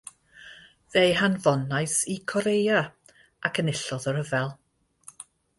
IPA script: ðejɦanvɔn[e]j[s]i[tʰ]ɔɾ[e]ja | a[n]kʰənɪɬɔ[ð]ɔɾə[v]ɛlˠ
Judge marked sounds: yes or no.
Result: no, yes, no, yes, no, yes, yes

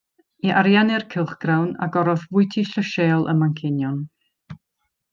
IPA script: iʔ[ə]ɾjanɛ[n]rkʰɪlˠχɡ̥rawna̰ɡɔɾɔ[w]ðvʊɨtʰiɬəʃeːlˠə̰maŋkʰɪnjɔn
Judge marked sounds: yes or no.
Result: no, no, no

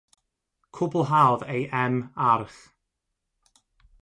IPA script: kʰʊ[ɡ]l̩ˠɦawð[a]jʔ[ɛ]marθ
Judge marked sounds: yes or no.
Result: no, no, yes

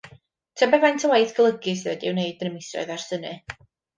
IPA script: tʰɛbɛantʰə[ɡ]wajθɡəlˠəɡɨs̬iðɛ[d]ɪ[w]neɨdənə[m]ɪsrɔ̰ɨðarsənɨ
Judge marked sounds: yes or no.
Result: no, yes, yes, yes

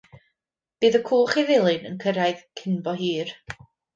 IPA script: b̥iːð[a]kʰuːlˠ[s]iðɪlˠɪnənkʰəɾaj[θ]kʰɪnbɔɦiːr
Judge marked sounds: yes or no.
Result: no, no, no

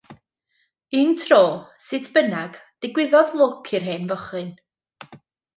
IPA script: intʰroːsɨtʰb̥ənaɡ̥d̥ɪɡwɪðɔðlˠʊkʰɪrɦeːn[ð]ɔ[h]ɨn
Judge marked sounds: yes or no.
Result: no, no

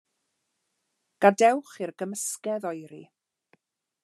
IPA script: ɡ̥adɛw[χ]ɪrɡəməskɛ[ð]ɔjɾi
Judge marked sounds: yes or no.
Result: yes, yes

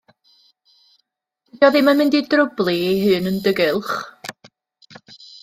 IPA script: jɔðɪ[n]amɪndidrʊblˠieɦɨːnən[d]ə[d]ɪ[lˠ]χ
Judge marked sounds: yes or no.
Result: no, yes, no, yes

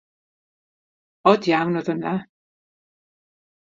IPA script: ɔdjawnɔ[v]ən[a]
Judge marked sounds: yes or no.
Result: no, yes

